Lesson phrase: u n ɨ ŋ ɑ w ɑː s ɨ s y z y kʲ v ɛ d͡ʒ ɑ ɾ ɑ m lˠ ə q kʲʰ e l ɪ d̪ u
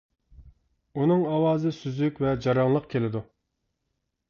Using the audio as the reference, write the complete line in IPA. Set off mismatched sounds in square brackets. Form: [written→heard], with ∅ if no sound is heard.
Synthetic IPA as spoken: u n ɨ ŋ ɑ w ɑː [s→z] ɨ s y z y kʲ v ɛ d͡ʒ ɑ ɾ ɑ [m→ŋ] lˠ ə q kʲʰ e l ɪ d̪ u

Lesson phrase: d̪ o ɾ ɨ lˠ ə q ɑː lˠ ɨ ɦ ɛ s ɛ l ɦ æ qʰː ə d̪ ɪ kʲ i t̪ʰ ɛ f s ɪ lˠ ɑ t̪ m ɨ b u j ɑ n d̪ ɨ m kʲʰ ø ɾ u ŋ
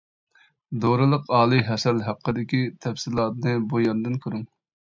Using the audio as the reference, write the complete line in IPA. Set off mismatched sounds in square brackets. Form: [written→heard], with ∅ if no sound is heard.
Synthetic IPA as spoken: d̪ o ɾ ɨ lˠ ə q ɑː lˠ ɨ ɦ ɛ s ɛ l ɦ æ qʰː ə d̪ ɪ kʲ i t̪ʰ ɛ f s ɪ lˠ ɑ t̪ [m→n] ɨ b u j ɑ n d̪ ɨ [m→n] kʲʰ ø ɾ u ŋ

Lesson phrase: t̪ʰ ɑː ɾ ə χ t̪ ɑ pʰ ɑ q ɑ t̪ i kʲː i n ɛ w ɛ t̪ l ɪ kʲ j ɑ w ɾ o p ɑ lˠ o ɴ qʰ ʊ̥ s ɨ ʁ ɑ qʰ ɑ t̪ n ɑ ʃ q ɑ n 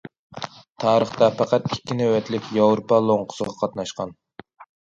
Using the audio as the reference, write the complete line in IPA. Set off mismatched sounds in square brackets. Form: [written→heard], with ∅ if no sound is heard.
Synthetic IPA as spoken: t̪ʰ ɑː ɾ ə χ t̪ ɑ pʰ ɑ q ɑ t̪ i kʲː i n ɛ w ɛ t̪ l ɪ kʲ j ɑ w ɾ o p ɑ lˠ o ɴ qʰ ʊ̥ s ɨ ʁ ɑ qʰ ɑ t̪ n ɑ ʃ q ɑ n

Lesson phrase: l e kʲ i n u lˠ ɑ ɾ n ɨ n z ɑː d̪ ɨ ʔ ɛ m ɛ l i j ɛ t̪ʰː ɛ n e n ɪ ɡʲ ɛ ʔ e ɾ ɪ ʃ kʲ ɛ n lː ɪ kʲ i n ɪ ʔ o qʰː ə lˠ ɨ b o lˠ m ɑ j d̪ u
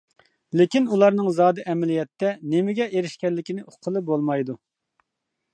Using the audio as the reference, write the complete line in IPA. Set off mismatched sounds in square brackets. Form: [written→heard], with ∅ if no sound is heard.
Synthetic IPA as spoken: l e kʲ i n u lˠ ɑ ɾ n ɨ [n→ŋ] z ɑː d̪ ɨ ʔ ɛ m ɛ l i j ɛ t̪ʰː ɛ n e [n→m] ɪ ɡʲ ɛ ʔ e ɾ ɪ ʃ kʲ ɛ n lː ɪ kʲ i n ɪ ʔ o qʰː ə lˠ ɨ b o lˠ m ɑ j d̪ u

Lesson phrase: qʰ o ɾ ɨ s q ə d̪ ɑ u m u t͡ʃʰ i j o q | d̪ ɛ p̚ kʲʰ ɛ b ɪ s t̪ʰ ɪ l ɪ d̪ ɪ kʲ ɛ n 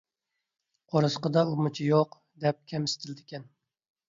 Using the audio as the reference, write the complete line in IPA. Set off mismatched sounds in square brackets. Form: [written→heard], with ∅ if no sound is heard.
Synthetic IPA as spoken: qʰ o ɾ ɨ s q ə d̪ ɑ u m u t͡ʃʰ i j o q | d̪ ɛ p̚ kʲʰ ɛ [b→m] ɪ s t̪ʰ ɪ l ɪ d̪ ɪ kʲ ɛ n

